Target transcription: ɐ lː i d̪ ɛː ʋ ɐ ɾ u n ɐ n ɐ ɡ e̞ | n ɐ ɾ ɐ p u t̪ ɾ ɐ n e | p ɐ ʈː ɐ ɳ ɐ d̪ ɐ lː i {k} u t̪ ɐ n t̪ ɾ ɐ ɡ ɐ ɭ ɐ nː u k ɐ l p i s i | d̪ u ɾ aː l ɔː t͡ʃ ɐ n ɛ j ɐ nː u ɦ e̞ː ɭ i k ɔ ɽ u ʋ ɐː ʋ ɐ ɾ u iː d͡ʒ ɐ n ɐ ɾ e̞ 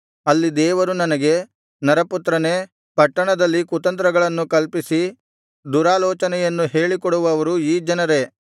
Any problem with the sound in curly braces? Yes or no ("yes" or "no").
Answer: no